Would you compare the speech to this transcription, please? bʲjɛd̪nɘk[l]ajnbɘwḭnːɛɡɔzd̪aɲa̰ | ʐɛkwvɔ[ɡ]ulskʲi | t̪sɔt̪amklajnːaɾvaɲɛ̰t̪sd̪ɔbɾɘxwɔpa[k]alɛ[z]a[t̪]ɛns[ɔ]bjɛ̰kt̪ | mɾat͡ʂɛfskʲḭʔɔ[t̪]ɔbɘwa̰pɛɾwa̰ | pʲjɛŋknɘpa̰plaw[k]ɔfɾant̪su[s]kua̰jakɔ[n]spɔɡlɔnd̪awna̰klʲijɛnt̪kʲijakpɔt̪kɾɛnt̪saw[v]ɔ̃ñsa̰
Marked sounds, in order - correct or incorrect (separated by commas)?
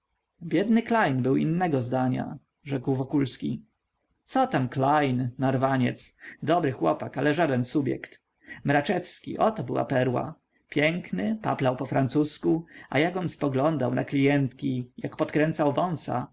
correct, incorrect, correct, incorrect, incorrect, incorrect, correct, incorrect, correct, correct, correct